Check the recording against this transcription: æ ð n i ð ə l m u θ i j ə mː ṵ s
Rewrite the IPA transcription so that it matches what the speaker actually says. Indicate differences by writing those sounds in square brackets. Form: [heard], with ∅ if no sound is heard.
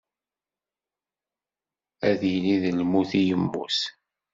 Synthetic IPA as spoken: æ ð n i ð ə l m u θ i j ə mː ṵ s

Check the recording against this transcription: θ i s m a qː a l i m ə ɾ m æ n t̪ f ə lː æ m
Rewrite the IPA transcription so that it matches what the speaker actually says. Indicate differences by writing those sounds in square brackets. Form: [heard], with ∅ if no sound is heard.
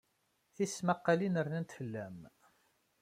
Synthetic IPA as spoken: θ i s m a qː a l i [n] ə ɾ [n] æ n t̪ f ə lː æ m

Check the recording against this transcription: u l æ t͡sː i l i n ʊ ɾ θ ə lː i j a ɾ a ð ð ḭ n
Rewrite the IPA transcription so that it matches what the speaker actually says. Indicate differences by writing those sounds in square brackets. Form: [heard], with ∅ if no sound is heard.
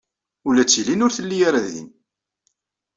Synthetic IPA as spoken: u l æ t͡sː i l i n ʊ ɾ θ ə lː i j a ɾ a ð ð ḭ n

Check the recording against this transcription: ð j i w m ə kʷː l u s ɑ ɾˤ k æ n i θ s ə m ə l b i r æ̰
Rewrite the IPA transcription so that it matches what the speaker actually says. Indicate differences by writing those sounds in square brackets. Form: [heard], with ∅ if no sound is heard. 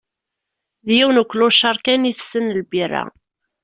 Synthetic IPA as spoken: ð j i w [n] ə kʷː l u [ʃ] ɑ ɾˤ k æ n i θ s ə [n] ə l b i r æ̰

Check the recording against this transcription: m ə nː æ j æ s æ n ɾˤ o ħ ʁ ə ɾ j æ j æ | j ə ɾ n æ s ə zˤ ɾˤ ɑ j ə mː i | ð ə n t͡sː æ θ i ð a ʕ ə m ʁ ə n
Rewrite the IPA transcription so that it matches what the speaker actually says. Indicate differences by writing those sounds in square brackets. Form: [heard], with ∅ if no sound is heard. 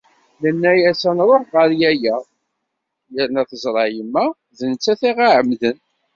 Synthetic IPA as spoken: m ə nː æ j æ s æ n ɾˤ o ħ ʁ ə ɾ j æ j æ | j ə ɾ n æ [θ] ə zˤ ɾˤ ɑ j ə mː [æ] | ð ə n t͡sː æ θ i [ʁ] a ʕ ə m [ð] ə n

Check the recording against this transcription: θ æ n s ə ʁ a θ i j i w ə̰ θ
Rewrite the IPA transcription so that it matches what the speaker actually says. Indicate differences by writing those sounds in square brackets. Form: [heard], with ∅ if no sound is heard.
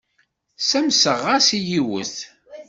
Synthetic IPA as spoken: [s] æ [m] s ə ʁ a [s] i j i w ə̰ θ

